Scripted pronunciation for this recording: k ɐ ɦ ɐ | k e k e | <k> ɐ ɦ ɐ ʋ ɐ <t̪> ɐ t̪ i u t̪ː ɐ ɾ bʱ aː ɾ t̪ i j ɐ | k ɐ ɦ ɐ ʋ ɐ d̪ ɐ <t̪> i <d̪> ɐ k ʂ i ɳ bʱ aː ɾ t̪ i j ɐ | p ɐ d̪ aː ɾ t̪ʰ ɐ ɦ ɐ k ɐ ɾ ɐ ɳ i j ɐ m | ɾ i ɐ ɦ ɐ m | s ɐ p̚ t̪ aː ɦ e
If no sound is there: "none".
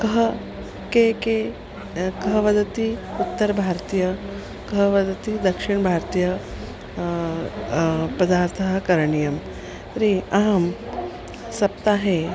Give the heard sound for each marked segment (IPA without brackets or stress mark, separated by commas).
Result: k, d̪, t̪, d̪